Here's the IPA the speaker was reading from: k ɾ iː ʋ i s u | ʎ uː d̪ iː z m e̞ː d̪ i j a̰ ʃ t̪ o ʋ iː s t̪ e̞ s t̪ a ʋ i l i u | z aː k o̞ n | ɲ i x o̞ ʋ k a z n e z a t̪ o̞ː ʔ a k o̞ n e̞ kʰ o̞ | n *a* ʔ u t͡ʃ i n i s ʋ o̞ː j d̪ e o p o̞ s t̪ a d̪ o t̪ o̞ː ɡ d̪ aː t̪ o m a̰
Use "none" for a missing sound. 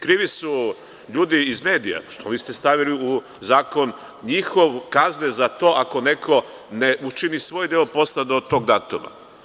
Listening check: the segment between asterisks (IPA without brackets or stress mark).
e